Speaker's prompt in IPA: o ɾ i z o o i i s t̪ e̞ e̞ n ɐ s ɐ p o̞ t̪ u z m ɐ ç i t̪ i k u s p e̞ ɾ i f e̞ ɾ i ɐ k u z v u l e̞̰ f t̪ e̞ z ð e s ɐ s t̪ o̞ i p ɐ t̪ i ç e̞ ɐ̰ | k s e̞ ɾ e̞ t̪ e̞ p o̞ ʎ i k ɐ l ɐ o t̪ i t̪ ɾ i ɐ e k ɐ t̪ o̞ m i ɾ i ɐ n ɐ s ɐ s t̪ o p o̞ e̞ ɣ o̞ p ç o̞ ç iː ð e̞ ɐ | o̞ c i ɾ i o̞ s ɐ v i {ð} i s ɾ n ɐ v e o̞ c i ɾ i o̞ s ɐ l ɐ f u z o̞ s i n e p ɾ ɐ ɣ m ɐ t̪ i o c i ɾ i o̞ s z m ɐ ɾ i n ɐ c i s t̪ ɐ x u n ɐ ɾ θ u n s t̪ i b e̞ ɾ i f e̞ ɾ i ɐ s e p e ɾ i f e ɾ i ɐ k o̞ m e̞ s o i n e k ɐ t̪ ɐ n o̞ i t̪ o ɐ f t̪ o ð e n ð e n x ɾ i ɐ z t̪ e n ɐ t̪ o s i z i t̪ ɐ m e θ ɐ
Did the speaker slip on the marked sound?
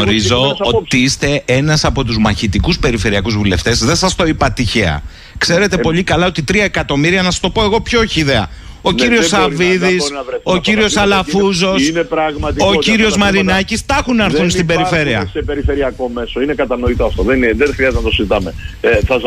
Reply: no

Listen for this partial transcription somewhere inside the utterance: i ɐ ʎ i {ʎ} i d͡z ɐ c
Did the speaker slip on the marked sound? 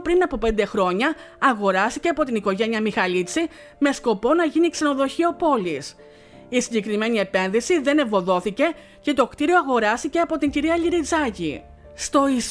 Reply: yes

